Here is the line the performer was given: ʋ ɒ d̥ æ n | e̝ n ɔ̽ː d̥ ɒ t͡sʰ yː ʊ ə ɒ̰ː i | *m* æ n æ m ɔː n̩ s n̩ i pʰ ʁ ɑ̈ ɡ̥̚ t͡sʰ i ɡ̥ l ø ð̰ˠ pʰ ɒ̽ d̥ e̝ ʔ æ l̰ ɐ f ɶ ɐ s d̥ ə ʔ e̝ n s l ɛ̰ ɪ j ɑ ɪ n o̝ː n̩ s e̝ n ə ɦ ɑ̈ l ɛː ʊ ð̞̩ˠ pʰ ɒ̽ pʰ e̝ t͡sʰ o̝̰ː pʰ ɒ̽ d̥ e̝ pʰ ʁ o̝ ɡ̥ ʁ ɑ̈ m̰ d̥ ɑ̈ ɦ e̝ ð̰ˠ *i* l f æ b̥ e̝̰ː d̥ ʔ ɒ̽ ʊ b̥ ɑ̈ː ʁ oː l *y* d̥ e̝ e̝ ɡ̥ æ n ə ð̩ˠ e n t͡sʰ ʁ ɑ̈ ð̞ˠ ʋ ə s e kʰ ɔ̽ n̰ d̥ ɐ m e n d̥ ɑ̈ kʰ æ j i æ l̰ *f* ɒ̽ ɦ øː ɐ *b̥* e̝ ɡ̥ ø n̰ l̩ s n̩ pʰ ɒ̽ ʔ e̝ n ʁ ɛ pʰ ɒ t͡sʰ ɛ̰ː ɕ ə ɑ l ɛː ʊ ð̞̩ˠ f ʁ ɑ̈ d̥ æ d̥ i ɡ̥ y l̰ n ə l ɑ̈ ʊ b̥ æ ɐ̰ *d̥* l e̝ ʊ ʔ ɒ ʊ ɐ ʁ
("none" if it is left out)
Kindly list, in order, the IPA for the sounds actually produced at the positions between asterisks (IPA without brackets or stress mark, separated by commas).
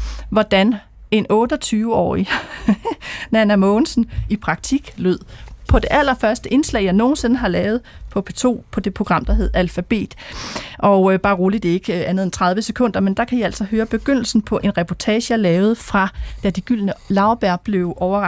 n, æ, i, s, b̥, b̥